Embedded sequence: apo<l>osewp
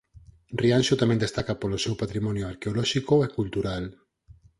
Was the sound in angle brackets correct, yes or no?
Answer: yes